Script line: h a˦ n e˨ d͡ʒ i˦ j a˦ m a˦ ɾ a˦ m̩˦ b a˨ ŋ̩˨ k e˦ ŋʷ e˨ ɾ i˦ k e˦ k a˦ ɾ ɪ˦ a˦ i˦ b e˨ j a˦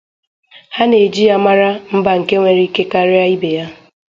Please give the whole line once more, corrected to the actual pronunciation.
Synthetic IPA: h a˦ n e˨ d͡ʒ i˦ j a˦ m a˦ ɾ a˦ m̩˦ b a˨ ŋ̩˨ k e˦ ŋʷ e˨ ɾ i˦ k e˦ k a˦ ɾ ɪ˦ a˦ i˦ b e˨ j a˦